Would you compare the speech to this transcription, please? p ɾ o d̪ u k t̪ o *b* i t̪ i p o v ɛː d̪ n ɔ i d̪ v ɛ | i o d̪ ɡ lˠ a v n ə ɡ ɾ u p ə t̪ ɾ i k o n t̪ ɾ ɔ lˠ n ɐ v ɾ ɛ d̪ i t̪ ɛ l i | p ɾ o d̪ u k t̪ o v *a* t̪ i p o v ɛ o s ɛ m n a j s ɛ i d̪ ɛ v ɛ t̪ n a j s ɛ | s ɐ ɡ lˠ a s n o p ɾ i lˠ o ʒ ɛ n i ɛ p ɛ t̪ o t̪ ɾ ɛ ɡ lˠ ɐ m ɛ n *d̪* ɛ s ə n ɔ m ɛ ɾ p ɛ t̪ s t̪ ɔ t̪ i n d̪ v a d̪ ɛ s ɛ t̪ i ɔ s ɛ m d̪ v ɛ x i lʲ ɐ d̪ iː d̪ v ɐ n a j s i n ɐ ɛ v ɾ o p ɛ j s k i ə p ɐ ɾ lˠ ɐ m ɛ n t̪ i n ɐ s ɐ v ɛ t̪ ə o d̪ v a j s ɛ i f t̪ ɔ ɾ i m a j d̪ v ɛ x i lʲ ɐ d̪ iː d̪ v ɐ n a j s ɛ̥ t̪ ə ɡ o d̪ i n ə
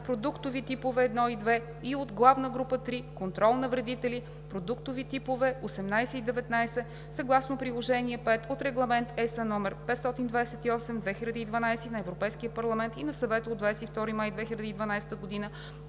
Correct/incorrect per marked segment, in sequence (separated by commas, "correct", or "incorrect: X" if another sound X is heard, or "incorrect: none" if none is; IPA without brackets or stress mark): incorrect: v, incorrect: i, incorrect: t̪